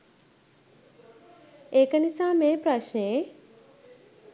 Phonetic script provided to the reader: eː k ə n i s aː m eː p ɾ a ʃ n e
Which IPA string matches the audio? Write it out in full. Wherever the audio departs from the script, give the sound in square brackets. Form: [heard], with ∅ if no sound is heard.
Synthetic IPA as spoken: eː k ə n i s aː m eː p ɾ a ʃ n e